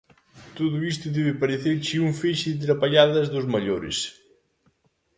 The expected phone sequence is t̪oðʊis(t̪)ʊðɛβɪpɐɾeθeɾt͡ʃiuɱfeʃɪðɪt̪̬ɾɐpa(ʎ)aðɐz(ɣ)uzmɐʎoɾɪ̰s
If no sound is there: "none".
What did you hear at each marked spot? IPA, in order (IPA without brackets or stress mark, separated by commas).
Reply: t̪, ʎ, ð